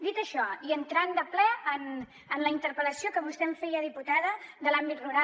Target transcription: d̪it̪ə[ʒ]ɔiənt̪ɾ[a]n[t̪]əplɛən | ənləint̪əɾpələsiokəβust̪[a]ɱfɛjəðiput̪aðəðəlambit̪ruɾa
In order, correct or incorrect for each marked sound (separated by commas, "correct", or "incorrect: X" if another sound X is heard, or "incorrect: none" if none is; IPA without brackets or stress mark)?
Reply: incorrect: ʃ, correct, incorrect: d̪, incorrect: ɛ